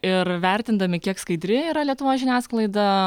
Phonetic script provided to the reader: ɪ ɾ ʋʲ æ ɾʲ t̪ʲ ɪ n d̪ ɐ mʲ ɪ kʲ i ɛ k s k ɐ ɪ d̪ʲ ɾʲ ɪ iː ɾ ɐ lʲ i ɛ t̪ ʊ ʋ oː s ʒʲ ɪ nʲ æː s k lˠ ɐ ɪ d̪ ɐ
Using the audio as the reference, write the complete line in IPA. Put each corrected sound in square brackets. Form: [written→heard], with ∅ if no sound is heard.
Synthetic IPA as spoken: ɪ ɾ ʋʲ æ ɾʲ t̪ʲ ɪ n d̪ ɐ mʲ ɪ kʲ i ɛ k s k ɐ ɪ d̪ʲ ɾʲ ɪ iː ɾ ɐ lʲ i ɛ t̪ ʊ ʋ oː s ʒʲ ɪ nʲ æː s k lˠ ɐ ɪ d̪ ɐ